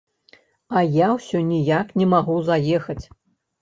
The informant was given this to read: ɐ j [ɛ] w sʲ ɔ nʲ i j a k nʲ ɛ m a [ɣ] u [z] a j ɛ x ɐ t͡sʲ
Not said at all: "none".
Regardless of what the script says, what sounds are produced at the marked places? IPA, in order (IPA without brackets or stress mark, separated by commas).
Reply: a, ɣ, z